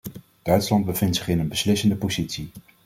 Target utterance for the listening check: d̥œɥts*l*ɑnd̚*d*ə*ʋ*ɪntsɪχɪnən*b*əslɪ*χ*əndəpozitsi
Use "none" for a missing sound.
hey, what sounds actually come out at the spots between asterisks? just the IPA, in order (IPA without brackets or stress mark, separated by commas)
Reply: l, b, v, b, s